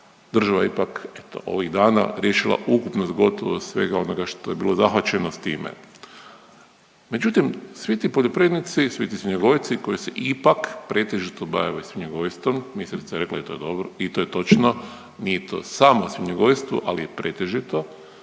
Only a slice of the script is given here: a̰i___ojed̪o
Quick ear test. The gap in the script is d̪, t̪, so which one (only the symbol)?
t̪